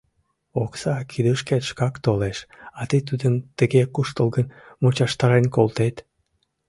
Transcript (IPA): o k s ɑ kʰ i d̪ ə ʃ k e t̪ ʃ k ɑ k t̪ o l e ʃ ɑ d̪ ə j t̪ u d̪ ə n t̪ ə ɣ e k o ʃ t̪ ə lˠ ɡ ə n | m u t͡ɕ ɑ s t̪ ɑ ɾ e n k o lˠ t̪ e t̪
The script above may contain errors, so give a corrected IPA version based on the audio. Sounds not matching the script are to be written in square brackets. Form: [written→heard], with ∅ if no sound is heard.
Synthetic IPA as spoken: o k s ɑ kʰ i d̪ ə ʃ k e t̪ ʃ k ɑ k t̪ o l e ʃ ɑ [d̪→t̪] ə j t̪ u d̪ ə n t̪ ə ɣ e k [o→u] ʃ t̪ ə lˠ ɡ ə n | m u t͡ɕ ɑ [s→ʃ] t̪ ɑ ɾ e n k o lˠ t̪ e t̪